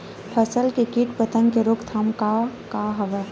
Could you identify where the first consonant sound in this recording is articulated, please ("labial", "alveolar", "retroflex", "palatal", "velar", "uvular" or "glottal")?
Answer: labial